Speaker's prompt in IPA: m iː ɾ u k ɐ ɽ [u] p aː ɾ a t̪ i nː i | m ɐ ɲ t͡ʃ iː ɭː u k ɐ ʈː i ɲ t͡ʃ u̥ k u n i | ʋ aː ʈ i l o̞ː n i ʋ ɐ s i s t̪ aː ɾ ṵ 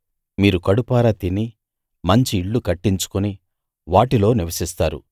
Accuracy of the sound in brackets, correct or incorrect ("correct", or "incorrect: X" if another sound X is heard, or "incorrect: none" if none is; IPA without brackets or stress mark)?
correct